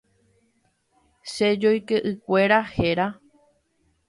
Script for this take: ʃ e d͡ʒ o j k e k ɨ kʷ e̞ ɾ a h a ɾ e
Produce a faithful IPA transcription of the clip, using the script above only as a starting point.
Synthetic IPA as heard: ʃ e d͡ʒ o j k e ʔ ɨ kʷ e̞ ɾ a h e ɾ a